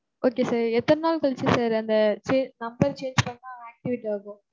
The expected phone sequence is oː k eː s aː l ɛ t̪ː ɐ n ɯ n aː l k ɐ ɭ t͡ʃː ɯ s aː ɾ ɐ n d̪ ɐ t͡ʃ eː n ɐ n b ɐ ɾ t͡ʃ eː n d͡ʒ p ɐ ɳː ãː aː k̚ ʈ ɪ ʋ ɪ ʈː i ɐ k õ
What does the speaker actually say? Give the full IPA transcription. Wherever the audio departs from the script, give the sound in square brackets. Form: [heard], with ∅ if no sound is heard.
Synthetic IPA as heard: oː k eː s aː [ɾ] ɛ t̪ː ɐ n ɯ n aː l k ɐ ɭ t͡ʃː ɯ s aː ɾ ɐ n d̪ ɐ t͡ʃ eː n ɐ [m] b ɐ ɾ t͡ʃ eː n d͡ʒ p ɐ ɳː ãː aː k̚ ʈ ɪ ʋ ɪ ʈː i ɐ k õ